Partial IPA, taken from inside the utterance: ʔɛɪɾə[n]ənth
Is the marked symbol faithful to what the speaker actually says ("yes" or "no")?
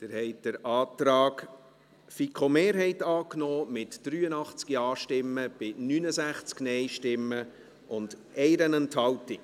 yes